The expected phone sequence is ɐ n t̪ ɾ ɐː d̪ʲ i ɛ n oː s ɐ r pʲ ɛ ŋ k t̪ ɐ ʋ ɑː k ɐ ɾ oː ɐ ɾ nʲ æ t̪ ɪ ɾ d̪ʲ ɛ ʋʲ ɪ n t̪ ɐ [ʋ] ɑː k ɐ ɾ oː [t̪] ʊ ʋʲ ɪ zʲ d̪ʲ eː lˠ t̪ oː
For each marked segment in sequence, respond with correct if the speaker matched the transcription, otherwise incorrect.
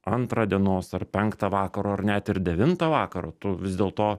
correct, correct

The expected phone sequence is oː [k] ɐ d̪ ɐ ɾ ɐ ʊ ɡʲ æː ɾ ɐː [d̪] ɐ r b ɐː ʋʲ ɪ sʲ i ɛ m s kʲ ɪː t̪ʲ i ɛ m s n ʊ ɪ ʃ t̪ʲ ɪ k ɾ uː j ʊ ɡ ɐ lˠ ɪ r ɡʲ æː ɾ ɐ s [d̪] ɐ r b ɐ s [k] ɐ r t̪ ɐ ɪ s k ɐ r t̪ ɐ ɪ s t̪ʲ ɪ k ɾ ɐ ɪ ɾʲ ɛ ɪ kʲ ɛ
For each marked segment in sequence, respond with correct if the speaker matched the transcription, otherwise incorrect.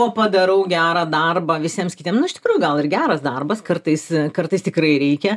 incorrect: p, correct, correct, correct

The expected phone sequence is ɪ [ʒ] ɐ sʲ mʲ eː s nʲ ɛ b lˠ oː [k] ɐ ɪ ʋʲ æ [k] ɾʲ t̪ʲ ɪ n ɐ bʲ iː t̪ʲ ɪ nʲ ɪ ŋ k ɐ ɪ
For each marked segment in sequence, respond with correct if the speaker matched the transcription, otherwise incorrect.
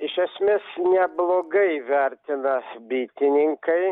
incorrect: ʃ, incorrect: ɡ, incorrect: none

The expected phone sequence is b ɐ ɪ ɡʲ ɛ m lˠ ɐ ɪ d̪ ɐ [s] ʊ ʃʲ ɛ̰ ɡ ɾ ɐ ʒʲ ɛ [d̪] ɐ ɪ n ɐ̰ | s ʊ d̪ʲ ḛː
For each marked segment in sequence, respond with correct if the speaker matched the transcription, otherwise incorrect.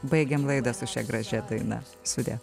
correct, correct

